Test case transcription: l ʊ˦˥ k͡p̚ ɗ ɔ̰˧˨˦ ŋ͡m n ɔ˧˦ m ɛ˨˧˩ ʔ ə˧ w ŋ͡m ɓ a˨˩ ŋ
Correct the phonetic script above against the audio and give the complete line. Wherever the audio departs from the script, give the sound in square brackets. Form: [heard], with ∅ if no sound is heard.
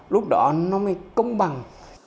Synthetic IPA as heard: l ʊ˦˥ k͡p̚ ɗ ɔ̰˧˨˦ [∅] n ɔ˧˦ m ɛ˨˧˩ [k] ə˧ w ŋ͡m ɓ a˨˩ ŋ

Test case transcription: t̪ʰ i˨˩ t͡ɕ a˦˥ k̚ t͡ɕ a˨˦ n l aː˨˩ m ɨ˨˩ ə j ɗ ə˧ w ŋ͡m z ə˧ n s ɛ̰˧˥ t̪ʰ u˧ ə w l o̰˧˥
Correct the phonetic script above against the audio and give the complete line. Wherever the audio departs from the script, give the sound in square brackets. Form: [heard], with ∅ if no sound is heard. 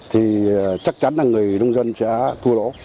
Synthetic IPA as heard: t̪ʰ i˨˩ t͡ɕ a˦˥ k̚ t͡ɕ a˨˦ n l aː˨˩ [ŋ] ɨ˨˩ ə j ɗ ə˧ w ŋ͡m z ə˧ n s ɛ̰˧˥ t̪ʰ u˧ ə [∅] l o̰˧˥

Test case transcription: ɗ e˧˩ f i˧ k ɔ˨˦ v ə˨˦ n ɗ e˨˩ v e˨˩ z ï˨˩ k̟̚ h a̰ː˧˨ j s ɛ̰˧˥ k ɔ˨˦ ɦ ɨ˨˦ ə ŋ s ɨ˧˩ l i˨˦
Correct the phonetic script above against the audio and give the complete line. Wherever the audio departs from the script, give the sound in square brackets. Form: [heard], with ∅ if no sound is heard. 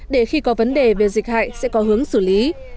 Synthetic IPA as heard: ɗ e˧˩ [x] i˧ k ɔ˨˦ v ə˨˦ n ɗ e˨˩ v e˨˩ z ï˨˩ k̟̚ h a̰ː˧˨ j s ɛ̰˧˥ k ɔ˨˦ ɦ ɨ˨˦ ə ŋ s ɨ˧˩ l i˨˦

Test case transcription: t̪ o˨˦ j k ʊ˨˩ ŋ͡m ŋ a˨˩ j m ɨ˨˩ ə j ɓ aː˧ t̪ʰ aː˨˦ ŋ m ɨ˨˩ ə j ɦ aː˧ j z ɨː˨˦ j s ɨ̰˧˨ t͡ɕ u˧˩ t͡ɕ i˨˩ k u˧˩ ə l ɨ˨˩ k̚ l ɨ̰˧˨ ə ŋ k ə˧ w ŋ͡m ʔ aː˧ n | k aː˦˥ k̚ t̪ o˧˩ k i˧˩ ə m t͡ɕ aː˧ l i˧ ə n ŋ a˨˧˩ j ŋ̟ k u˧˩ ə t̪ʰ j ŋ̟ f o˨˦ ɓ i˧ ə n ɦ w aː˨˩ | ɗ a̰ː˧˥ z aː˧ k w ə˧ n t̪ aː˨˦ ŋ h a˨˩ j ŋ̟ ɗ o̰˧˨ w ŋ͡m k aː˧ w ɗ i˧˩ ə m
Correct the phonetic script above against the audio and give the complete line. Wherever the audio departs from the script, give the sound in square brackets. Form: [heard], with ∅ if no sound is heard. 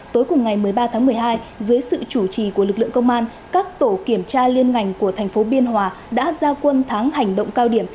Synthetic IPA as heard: t̪ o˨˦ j k ʊ˨˩ ŋ͡m ŋ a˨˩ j m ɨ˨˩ ə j ɓ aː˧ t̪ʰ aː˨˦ ŋ m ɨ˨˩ ə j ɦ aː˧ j z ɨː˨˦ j s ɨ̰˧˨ t͡ɕ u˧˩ t͡ɕ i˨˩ k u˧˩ ə l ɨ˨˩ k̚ l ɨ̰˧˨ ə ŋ k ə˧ w ŋ͡m ʔ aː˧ n | k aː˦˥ k̚ t̪ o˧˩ k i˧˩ ə m t͡ɕ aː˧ l i˧ ə n ŋ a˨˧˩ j ŋ̟ k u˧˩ ə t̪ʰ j ŋ̟ f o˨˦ ɓ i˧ ə n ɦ w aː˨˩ | ɗ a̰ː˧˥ z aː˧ k w ə˧ n [t̪ʰ] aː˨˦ ŋ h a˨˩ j ŋ̟ ɗ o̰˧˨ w ŋ͡m k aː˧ w ɗ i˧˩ ə m

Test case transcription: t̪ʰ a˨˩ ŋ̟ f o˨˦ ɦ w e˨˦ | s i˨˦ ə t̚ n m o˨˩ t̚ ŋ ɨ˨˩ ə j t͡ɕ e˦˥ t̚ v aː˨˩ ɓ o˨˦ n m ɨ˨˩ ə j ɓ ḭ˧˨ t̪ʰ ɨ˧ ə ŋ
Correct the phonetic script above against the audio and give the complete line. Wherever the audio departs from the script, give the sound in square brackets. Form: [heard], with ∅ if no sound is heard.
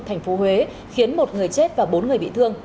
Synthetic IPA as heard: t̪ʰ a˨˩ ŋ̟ f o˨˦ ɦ w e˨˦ | [x] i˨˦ ə [∅] n m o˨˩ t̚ ŋ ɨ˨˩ ə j t͡ɕ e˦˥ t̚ v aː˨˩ ɓ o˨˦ n [ŋ] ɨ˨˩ ə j ɓ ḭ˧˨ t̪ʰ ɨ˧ ə ŋ

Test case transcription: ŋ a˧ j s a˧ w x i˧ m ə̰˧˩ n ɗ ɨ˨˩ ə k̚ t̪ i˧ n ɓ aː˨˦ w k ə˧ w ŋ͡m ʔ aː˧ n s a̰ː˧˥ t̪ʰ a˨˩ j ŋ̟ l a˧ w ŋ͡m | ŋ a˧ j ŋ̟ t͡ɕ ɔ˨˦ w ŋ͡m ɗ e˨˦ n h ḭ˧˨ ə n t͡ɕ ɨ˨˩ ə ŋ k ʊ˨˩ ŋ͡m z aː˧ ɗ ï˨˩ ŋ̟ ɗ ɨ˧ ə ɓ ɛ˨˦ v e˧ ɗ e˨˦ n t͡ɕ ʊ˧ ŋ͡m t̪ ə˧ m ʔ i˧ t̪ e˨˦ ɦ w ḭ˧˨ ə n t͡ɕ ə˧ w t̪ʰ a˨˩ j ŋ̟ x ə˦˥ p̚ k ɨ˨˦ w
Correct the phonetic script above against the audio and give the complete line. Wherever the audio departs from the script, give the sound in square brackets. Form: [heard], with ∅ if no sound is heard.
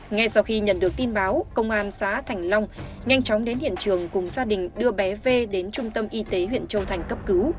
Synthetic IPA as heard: ŋ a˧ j s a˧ w x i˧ [ɲ] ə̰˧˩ n ɗ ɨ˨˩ ə k̚ t̪ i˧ n ɓ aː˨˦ w k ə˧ w ŋ͡m ʔ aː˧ n s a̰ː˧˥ t̪ʰ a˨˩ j ŋ̟ l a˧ w ŋ͡m | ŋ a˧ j ŋ̟ t͡ɕ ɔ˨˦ w ŋ͡m ɗ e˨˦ n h ḭ˧˨ ə n t͡ɕ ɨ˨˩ ə ŋ k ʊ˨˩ ŋ͡m z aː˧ ɗ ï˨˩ ŋ̟ ɗ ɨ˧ ə ɓ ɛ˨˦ v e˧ ɗ e˨˦ n t͡ɕ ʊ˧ ŋ͡m t̪ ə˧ m ʔ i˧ t̪ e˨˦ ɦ w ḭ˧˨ ə n t͡ɕ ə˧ w t̪ʰ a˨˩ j ŋ̟ [k] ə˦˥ p̚ k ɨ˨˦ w

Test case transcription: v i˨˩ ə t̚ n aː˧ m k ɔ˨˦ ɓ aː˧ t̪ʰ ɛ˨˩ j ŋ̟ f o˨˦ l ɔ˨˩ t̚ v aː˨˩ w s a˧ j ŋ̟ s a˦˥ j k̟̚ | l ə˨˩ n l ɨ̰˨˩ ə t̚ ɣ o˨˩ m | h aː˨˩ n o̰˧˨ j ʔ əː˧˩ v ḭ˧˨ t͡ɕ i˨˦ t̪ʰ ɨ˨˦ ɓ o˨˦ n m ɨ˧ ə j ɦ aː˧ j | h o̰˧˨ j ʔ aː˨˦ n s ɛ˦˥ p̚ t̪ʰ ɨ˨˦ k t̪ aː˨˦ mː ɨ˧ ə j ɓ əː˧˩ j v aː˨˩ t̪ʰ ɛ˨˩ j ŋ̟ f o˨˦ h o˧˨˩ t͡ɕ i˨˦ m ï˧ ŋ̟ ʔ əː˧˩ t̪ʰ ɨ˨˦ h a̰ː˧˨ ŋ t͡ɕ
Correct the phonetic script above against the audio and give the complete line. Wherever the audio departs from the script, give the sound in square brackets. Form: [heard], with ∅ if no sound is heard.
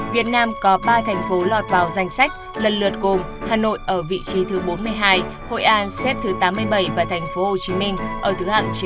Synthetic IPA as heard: v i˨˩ ə t̚ n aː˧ m k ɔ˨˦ ɓ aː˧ t̪ʰ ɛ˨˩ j ŋ̟ f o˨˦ l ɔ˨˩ t̚ v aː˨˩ w [z] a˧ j ŋ̟ s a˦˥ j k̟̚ | l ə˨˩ n l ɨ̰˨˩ ə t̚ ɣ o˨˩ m | h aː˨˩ n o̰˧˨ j ʔ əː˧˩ v ḭ˧˨ t͡ɕ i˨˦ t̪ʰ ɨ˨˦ ɓ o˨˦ n m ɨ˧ ə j ɦ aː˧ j | h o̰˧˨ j ʔ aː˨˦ n s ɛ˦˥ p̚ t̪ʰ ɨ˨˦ [∅] t̪ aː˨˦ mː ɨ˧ ə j ɓ [ə˧˩] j v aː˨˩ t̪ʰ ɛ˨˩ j ŋ̟ f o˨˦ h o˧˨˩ t͡ɕ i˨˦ m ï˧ ŋ̟ ʔ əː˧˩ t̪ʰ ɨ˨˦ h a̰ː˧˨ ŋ t͡ɕ

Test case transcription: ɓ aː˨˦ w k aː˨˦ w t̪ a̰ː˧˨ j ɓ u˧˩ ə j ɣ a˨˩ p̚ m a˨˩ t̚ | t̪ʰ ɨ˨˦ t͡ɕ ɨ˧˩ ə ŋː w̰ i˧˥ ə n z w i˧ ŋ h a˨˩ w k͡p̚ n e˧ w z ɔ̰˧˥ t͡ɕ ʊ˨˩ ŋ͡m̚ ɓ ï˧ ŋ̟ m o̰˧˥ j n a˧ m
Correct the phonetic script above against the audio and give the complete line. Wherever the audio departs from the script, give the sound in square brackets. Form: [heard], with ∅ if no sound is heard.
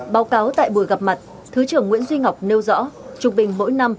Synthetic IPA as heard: ɓ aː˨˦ w k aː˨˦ w t̪ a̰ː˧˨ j ɓ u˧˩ ə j ɣ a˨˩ p̚ m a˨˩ t̚ | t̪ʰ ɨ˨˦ t͡ɕ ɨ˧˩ ə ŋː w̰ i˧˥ ə n z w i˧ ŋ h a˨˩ w k͡p̚ n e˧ w z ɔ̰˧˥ t͡ɕ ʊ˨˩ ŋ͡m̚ ɓ [ï˨˩] ŋ̟ m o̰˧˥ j n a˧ m

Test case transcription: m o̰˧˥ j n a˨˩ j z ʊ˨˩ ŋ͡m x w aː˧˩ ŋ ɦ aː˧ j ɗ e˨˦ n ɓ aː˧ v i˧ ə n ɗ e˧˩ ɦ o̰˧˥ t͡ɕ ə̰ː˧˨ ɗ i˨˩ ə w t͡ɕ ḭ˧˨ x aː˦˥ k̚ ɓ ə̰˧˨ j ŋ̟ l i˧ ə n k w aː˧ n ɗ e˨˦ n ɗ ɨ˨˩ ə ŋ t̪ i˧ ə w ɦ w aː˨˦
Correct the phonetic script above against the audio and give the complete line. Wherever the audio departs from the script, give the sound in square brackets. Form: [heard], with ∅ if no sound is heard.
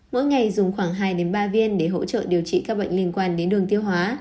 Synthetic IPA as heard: m o̰˧˥ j [ŋ] a˨˩ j z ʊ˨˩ ŋ͡m x w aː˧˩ ŋ ɦ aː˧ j ɗ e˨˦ n ɓ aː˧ v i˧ ə n ɗ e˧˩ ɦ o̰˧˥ t͡ɕ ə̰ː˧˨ ɗ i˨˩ ə w t͡ɕ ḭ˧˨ [k] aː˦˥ k̚ ɓ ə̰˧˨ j ŋ̟ l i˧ ə n k w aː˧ n ɗ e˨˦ n ɗ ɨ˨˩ ə ŋ t̪ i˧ ə w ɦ w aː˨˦

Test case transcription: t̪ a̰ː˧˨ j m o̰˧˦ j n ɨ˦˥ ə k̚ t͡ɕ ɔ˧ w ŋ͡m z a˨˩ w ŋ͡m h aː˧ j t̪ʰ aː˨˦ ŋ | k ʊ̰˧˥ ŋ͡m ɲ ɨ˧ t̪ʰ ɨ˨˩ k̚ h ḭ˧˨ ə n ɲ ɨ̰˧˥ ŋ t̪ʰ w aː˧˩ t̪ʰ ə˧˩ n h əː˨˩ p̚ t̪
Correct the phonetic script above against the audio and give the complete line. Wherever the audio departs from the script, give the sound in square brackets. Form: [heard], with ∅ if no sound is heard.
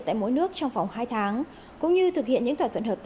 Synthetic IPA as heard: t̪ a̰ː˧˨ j m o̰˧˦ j n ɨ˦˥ ə k̚ t͡ɕ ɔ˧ w ŋ͡m [v] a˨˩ w ŋ͡m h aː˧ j t̪ʰ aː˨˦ ŋ | k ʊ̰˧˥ ŋ͡m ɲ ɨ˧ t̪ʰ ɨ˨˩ k̚ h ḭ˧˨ ə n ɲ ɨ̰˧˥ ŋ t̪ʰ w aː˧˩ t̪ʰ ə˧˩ n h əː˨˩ p̚ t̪

